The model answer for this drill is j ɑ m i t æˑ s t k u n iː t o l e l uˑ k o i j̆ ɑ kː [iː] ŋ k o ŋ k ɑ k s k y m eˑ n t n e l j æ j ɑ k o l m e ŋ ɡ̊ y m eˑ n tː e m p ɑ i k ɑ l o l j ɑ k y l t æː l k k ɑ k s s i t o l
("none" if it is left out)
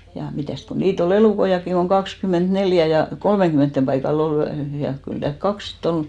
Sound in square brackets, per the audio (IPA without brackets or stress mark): i